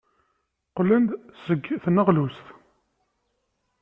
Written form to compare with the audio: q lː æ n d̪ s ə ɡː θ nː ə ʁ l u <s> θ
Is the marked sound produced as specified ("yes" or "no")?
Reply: yes